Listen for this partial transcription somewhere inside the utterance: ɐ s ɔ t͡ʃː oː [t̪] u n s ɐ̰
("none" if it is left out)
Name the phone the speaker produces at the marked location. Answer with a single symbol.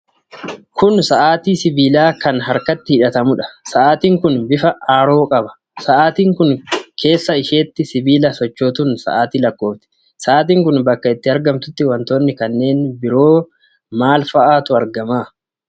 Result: t̪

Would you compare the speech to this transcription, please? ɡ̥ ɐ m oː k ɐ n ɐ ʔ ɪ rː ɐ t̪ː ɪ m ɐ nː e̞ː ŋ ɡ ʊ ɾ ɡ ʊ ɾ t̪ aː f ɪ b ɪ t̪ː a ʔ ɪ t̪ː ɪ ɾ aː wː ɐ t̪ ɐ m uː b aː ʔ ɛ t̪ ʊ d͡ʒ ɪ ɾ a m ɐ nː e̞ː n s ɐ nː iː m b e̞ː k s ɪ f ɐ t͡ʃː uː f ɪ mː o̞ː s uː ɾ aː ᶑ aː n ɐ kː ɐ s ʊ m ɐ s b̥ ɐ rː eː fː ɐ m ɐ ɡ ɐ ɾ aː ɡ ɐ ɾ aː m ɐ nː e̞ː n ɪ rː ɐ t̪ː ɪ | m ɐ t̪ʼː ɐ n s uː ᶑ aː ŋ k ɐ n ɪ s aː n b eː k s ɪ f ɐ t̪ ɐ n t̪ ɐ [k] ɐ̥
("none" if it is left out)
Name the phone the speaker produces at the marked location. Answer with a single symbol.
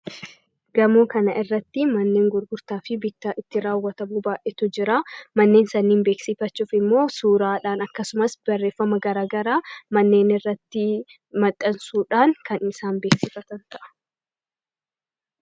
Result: ʔ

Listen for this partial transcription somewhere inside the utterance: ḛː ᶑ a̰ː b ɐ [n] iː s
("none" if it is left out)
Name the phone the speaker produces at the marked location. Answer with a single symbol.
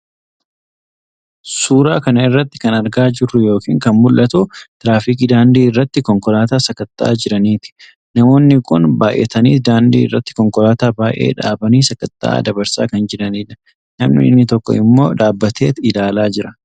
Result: n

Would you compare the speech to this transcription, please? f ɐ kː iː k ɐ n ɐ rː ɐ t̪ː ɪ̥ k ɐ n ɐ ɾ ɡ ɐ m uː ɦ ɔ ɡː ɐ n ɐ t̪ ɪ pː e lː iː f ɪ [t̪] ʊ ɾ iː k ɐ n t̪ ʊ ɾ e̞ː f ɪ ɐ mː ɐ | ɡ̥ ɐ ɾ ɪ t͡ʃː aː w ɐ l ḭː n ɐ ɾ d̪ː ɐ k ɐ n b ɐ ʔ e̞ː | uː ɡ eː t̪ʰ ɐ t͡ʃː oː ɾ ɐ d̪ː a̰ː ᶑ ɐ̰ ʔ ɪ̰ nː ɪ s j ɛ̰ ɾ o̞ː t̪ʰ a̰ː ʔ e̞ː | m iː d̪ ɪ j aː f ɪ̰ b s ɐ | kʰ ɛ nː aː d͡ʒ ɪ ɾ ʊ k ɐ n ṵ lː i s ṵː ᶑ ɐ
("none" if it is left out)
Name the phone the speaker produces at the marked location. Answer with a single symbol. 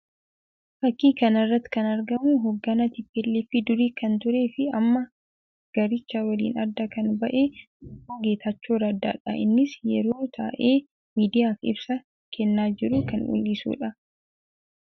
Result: d̪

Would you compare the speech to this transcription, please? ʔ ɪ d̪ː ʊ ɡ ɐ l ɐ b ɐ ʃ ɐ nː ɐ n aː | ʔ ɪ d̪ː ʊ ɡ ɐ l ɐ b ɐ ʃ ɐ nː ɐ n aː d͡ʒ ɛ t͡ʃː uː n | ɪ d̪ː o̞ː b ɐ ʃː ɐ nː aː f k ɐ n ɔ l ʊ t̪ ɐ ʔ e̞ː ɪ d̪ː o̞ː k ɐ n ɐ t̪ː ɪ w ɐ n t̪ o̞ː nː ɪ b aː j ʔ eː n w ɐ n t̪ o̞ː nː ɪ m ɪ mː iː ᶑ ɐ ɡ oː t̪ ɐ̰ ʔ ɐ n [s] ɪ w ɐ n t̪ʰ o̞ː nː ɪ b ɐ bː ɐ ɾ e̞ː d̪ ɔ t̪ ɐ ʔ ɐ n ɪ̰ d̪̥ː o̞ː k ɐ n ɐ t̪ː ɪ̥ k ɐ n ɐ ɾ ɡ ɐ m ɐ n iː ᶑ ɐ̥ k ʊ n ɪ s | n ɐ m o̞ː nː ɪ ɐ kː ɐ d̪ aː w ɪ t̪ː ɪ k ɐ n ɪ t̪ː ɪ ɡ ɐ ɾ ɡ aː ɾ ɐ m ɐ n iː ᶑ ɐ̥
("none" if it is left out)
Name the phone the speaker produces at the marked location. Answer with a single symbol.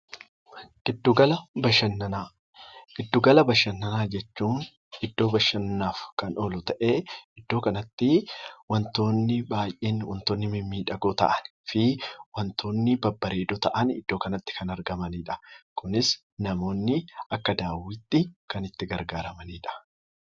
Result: f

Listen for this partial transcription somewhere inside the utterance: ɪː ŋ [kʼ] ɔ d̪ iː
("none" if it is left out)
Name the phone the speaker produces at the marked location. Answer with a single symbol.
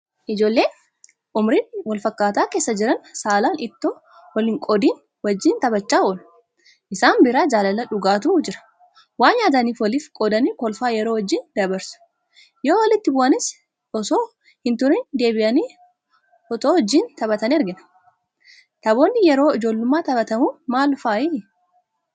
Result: kʼ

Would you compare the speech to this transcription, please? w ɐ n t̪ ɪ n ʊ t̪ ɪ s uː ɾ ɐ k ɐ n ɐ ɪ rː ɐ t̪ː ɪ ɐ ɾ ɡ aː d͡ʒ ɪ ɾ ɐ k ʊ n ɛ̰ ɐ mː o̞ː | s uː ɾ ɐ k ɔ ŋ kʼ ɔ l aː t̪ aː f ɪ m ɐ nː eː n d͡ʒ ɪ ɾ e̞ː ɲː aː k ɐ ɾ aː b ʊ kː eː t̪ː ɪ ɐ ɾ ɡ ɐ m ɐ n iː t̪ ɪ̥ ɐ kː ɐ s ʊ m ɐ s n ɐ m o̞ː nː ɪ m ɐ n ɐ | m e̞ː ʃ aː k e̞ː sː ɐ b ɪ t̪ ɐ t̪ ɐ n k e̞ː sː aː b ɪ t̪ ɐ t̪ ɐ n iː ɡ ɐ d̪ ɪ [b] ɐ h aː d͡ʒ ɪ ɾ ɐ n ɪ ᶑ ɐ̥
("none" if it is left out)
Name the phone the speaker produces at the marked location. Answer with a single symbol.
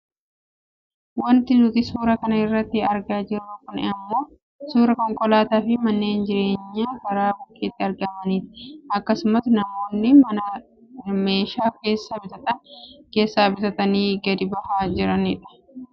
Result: b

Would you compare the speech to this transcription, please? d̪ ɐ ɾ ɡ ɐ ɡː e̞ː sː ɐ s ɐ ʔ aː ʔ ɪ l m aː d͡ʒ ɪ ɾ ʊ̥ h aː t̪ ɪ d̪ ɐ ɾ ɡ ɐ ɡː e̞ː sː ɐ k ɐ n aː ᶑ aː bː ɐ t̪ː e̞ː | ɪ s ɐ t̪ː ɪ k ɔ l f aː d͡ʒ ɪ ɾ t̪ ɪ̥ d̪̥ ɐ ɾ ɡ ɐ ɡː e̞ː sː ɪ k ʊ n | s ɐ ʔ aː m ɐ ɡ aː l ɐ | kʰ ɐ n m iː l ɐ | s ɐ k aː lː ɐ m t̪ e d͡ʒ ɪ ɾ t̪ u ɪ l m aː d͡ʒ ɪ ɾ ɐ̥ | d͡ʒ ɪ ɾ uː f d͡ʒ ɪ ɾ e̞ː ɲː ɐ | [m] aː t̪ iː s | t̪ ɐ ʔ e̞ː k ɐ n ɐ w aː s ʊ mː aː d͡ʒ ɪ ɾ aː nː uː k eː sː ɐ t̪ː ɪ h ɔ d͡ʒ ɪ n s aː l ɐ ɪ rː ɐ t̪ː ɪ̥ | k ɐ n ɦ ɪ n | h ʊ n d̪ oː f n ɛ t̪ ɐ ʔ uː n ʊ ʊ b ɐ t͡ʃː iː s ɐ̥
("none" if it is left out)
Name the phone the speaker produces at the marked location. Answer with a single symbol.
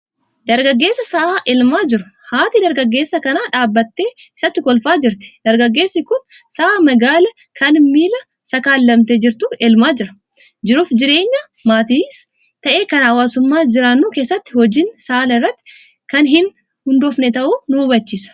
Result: m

